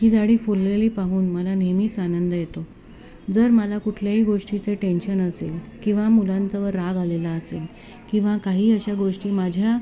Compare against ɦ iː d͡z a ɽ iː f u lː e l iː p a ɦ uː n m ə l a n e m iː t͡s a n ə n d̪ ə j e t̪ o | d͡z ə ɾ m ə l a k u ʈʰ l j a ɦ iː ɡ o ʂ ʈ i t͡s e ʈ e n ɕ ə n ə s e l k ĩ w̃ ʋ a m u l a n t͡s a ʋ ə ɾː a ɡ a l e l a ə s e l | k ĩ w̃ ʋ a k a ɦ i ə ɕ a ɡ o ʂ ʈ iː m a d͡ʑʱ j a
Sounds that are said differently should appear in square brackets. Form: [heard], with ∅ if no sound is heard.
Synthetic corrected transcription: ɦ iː d͡z a ɽ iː f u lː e l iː p a ɦ uː n m ə l a n e m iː t͡s a n ə n d̪ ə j e t̪ o | d͡z ə ɾ m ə l a k u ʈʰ l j a ɦ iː ɡ o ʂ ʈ i t͡s e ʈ e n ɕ ə n ə s e l k ĩ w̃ ʋ a m u l a n t͡s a ʋ ə ɾː a ɡ a l e l a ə s e l | k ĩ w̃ ʋ a k a ɦ [iː] ə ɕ a ɡ o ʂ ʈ iː m a d͡ʑʱ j a